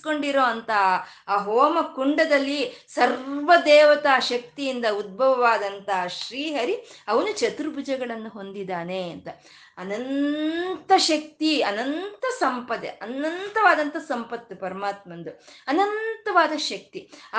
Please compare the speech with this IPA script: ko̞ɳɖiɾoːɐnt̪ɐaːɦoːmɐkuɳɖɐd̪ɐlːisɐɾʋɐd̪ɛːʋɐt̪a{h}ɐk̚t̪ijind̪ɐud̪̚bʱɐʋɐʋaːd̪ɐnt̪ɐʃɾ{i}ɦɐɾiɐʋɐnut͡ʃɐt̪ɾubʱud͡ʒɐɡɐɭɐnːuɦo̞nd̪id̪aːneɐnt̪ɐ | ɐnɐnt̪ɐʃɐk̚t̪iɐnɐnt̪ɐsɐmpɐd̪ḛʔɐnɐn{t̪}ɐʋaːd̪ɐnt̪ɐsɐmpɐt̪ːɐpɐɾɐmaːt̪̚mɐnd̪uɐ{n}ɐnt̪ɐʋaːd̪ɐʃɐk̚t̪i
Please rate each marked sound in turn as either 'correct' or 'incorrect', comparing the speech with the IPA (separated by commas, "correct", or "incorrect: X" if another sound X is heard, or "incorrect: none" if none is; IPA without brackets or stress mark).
incorrect: ʃ, incorrect: iː, correct, correct